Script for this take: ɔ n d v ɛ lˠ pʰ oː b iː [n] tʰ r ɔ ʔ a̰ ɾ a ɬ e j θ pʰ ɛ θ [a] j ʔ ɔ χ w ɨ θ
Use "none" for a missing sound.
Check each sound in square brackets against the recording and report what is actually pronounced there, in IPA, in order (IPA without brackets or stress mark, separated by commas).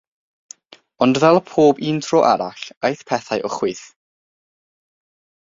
n, a